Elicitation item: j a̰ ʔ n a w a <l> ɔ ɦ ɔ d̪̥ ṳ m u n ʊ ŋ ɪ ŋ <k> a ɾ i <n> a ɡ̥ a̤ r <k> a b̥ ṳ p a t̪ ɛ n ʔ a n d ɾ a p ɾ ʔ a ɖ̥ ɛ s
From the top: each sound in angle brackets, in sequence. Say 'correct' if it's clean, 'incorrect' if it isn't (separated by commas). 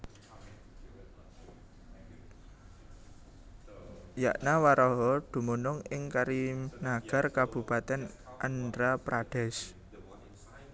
incorrect, correct, correct, correct